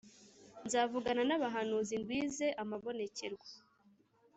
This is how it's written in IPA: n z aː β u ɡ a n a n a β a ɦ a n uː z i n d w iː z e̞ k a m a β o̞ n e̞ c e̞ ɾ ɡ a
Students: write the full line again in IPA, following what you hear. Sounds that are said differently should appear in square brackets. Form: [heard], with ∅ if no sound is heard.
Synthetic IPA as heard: n z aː [v] u ɡ a n a n a β a ɦ a n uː z i n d w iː z e̞ [ʔ] a m a β o̞ n e̞ c e̞ ɾ ɡ a